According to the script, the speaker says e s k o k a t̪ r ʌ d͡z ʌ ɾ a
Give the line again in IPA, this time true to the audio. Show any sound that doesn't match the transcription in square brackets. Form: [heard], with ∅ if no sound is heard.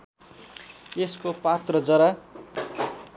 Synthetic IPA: e s k o [p] a t̪ r ʌ d͡z ʌ ɾ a